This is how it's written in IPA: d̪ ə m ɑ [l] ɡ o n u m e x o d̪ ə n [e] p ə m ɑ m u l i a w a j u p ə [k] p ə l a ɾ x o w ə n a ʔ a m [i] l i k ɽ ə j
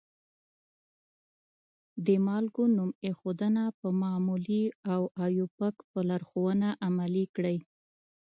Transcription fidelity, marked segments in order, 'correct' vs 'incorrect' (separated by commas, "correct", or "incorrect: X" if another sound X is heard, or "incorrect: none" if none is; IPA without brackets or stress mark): correct, incorrect: a, correct, incorrect: a